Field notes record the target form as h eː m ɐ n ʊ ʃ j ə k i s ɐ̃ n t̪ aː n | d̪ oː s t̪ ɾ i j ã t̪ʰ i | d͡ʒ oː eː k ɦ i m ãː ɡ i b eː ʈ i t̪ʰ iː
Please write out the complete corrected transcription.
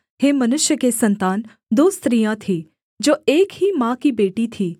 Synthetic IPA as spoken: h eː m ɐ n ʊ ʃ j ə k e s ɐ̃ n t̪ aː n | d̪ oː s t̪ ɾ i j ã t̪ʰ i | d͡ʒ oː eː k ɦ i m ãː k i b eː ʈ i t̪ʰ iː